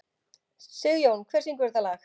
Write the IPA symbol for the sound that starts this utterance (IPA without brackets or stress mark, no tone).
s